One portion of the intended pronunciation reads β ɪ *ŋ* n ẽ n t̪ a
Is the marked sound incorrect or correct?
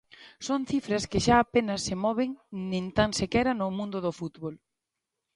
correct